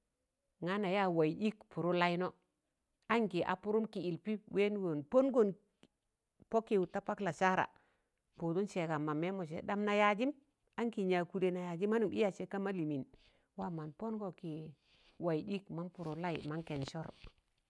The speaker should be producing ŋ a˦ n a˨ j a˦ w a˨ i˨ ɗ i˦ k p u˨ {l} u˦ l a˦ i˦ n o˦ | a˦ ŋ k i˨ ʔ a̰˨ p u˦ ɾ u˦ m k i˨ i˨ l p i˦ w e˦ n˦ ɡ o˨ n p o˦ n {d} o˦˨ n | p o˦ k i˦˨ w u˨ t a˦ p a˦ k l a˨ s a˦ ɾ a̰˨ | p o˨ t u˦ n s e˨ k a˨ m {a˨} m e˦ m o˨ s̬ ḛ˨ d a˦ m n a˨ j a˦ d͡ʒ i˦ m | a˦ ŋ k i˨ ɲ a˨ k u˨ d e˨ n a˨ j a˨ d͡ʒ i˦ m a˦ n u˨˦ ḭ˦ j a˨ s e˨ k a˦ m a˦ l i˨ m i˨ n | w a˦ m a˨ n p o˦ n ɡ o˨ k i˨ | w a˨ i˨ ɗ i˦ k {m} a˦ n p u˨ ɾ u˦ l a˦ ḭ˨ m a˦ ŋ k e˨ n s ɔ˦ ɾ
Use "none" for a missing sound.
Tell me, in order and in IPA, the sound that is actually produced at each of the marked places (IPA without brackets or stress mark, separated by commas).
ɾ, ɡ, a˨, m